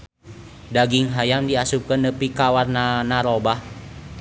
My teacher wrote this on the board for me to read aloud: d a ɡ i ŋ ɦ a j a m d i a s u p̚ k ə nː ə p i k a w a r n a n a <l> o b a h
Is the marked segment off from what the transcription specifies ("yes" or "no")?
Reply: yes